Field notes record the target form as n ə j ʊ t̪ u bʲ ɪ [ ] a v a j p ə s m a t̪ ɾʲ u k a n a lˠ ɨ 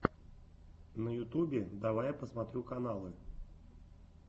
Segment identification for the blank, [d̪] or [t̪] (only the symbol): d̪